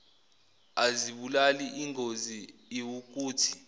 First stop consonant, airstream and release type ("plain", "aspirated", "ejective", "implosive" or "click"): implosive